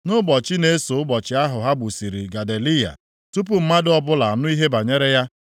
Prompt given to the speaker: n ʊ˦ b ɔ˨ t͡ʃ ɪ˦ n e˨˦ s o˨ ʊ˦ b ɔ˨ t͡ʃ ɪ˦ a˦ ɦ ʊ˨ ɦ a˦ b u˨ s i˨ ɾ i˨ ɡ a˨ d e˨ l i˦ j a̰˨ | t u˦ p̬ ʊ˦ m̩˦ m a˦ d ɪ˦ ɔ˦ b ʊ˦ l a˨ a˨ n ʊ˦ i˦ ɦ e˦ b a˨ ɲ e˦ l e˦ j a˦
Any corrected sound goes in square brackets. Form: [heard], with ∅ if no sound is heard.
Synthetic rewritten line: n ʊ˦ b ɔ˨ t͡ʃ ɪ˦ n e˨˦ s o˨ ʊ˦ b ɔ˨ t͡ʃ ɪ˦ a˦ ɦ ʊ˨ ɦ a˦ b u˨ s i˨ ɾ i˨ ɡ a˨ d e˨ l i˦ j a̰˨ | t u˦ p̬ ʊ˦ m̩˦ m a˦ d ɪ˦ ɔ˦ b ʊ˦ l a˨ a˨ n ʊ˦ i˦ ɦ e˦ b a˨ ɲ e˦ [ɾ] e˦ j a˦